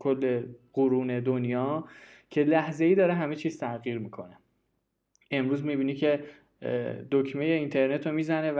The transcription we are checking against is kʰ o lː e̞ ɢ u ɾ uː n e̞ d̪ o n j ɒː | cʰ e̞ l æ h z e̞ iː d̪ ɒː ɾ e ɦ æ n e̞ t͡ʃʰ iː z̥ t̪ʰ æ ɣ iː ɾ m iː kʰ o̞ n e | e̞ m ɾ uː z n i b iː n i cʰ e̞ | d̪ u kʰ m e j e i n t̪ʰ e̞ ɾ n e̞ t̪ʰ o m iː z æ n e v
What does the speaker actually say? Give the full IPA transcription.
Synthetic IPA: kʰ o lː e̞ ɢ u ɾ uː n e̞ d̪ o n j ɒː | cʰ e̞ l æ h z e̞ iː d̪ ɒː ɾ e ɦ æ m e̞ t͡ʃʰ iː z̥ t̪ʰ æ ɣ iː ɾ m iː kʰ o̞ n e | e̞ m ɾ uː z m i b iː n i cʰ e̞ | d̪ o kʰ m e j e i n t̪ʰ e̞ ɾ n e̞ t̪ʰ o m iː z æ n e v